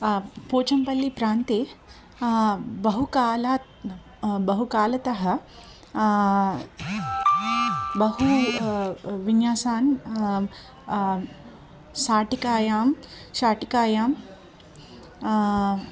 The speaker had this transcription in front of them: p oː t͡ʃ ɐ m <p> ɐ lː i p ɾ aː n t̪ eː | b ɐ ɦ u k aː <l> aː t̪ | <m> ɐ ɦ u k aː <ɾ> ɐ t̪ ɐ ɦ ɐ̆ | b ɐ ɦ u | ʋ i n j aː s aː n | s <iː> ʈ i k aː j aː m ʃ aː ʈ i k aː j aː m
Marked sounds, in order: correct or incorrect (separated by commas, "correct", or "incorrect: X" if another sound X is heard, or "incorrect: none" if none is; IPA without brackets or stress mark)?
correct, correct, incorrect: b, incorrect: l, incorrect: aː